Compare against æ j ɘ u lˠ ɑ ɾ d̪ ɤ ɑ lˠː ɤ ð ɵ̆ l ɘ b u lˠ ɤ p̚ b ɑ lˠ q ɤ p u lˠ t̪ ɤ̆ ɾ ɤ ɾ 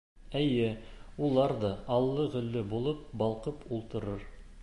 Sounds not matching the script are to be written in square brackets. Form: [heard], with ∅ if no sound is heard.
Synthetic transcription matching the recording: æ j ɘ u lˠ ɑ ɾ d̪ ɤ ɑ lˠː ɤ [ʁ] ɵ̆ [lː] ɘ b u lˠ ɤ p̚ b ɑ lˠ q ɤ p u lˠ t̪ ɤ̆ ɾ ɤ ɾ